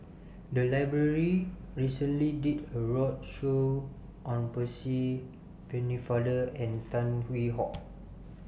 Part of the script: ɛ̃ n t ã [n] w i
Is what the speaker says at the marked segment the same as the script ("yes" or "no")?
yes